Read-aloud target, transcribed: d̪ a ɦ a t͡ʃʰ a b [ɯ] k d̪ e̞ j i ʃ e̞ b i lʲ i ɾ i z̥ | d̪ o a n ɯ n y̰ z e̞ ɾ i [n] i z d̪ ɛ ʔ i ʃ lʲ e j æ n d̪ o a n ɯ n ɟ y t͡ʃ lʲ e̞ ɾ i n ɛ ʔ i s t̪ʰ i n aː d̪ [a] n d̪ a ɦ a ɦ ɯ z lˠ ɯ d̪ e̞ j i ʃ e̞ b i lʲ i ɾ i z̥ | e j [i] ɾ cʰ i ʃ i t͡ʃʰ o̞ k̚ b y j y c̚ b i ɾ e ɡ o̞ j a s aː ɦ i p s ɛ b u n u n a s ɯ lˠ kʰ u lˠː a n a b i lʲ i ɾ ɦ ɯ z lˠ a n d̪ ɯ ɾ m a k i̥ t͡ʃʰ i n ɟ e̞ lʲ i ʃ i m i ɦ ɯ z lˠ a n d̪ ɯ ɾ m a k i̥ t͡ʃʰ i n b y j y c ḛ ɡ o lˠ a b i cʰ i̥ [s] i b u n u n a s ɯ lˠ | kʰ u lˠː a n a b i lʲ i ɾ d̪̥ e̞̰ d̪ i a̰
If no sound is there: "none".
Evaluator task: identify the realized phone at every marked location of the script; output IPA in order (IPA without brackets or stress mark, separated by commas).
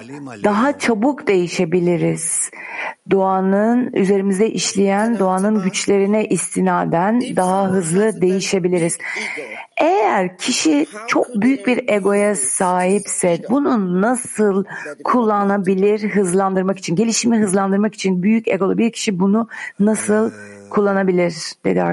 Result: u, m, æ, æ, ʃ